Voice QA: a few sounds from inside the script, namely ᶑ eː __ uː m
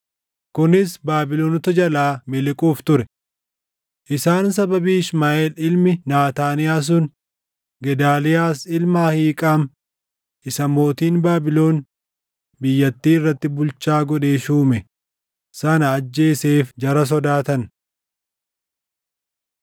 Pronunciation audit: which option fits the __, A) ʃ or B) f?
A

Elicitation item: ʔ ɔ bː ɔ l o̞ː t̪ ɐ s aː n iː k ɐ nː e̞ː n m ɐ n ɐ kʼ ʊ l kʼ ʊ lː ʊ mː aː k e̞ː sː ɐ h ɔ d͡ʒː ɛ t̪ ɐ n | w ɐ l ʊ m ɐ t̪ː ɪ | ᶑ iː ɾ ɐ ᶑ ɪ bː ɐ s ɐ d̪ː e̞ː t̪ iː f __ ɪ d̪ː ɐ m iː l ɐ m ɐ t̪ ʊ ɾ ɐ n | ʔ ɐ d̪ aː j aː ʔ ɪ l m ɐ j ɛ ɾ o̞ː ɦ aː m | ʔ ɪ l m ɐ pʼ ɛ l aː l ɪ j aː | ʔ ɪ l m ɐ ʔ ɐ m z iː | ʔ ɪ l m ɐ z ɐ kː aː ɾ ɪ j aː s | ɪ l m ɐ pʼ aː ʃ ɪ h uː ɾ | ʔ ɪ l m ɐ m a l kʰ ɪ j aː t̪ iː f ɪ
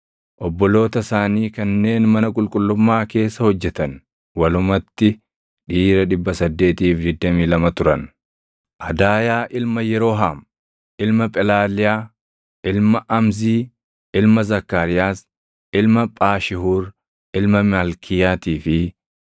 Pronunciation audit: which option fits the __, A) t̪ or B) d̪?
B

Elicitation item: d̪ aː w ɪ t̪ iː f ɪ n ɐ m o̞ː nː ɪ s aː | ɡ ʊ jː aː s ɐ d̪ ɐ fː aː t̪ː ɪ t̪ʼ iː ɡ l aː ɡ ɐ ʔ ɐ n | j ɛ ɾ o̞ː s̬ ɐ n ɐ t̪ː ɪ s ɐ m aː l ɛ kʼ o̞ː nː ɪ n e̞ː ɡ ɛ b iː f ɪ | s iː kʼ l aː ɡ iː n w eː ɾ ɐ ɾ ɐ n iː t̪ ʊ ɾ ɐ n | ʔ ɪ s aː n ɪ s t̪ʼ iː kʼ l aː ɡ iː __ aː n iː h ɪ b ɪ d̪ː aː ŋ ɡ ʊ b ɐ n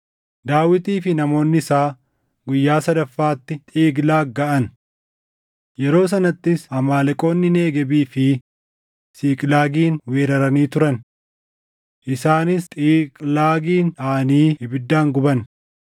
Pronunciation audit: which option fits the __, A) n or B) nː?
A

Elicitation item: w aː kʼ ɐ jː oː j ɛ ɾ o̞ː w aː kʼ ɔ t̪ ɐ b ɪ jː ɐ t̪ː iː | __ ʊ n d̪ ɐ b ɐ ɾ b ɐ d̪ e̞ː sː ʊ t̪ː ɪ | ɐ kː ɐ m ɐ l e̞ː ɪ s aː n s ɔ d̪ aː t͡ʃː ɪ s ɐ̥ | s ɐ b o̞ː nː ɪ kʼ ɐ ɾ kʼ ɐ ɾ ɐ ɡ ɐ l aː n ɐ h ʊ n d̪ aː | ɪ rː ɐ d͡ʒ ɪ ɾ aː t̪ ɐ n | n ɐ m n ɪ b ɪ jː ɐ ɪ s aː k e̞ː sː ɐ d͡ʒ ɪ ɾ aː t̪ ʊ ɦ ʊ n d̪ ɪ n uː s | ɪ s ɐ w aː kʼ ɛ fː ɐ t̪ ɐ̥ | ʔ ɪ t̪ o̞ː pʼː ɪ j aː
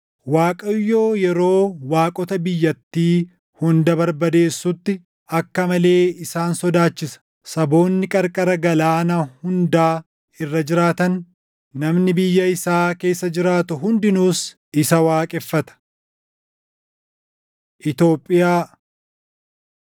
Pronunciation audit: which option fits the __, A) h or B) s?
A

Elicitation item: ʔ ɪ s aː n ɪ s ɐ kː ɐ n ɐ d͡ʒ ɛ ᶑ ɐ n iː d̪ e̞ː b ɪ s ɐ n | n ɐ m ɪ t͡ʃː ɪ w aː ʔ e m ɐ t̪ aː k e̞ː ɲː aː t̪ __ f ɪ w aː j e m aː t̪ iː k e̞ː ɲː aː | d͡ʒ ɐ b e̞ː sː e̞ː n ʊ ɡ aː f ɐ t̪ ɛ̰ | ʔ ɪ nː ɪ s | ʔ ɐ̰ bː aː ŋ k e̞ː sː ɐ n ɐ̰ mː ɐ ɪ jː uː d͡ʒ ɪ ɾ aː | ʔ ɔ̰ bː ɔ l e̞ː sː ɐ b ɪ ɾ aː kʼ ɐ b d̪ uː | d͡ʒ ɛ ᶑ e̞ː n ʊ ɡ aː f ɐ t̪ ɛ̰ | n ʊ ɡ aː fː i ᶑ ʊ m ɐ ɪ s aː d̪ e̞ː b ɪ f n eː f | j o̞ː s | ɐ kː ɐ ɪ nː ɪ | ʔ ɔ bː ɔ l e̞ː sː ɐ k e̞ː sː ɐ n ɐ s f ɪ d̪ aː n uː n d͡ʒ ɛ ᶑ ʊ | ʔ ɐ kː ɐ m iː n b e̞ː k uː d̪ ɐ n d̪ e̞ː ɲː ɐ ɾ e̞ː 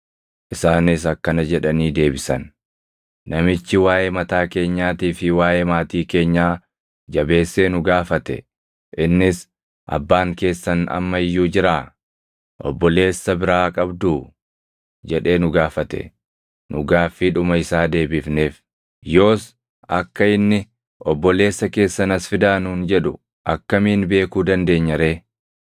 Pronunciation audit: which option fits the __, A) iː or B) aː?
A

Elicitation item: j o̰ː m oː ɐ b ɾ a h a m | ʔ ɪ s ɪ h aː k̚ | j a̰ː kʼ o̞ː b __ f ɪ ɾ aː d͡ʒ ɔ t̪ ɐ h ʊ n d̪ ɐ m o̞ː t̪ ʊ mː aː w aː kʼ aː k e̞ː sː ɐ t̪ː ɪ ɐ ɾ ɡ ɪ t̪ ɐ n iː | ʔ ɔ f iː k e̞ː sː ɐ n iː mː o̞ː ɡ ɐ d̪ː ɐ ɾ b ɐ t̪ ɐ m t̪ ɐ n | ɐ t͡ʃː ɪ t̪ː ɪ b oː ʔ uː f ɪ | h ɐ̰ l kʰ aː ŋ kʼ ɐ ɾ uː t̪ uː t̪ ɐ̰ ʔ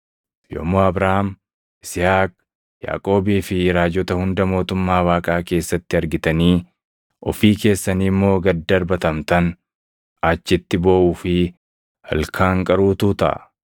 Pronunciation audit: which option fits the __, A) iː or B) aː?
A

